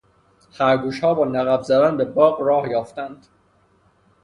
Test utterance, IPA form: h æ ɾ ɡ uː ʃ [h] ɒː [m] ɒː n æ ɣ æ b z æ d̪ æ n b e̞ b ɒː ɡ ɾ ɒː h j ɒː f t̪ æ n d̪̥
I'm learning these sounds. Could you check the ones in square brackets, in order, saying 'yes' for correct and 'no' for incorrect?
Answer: yes, no

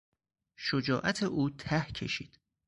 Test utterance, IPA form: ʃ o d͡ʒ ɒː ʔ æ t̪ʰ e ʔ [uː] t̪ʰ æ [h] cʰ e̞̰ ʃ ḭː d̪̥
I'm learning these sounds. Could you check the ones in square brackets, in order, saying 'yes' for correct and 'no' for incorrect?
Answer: yes, yes

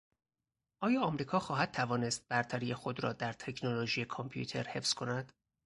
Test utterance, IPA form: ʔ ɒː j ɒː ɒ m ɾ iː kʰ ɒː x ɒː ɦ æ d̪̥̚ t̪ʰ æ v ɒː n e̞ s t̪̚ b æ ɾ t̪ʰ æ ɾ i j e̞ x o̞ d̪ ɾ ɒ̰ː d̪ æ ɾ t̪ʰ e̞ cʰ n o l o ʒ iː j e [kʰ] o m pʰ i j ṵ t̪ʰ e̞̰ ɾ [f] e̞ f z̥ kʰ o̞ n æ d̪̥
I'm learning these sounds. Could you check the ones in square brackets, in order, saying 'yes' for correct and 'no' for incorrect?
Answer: yes, no

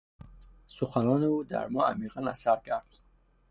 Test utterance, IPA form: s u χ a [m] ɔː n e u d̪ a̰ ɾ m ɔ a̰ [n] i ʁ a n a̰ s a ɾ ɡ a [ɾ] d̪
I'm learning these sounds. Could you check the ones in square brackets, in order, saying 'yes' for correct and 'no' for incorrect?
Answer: no, no, yes

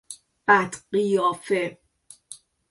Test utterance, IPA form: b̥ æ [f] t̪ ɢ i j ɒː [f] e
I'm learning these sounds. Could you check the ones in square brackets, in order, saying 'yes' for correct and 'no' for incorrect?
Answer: no, yes

